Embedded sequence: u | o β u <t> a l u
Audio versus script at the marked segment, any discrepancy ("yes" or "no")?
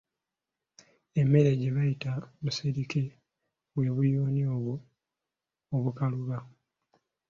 yes